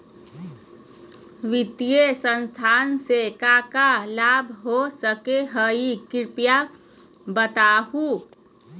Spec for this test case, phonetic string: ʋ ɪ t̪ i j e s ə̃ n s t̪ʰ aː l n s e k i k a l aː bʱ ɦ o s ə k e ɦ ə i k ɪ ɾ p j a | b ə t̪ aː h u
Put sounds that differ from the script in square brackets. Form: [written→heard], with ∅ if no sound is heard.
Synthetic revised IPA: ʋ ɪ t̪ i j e s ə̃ n s t̪ʰ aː [l→∅] n s e k [i→a] k a l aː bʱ ɦ o s ə k e ɦ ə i k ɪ ɾ p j a | b ə t̪ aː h u